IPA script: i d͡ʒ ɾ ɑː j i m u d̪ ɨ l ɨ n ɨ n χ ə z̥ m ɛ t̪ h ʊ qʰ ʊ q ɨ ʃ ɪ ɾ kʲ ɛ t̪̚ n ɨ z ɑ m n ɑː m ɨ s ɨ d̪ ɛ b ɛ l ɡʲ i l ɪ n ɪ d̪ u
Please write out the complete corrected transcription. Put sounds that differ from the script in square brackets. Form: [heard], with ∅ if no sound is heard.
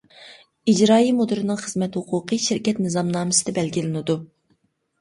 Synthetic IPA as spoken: i d͡ʒ ɾ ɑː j i m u d̪ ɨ [ɾ] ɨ n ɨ [ŋ] χ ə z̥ m ɛ t̪ h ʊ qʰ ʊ q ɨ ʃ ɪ ɾ kʲ ɛ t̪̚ n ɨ z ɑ m n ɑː m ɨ s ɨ d̪ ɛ b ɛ l ɡʲ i l ɪ n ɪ d̪ u